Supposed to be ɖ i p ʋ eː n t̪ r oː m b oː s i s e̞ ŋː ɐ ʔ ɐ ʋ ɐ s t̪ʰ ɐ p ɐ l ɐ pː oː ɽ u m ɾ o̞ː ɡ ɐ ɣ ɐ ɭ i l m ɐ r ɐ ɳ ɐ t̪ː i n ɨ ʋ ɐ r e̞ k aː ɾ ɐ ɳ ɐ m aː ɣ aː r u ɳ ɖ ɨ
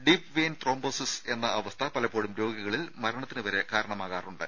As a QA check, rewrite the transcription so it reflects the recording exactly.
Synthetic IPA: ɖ i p ʋ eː n t̪ r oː m b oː s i s e̞ nː ɐ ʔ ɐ ʋ ɐ s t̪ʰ ɐ p ɐ l ɐ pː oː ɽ u m ɾ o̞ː ɡ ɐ ɣ ɐ ɭ i l m ɐ ɾ ɐ ɳ ɐ t̪ː i n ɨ ʋ ɐ ɾ e̞ k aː ɾ ɐ ɳ ɐ m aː ɣ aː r u ɳ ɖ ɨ